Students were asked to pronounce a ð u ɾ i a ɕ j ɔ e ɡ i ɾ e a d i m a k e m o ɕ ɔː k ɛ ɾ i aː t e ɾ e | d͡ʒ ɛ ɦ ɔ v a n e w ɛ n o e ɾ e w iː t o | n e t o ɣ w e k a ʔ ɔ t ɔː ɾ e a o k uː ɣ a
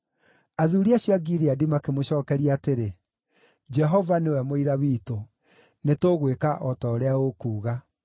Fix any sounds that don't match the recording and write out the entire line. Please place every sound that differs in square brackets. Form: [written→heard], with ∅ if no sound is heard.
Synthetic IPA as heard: a ð u ɾ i a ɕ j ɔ [e→a] ɡ i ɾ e a d i m a k e m o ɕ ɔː k ɛ ɾ i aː t e ɾ e | d͡ʒ ɛ ɦ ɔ v a n e w ɛ [n→m] o [e→i] ɾ [e→a] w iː t o | n e t o ɣ w e k a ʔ ɔ t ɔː ɾ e a o k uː ɣ a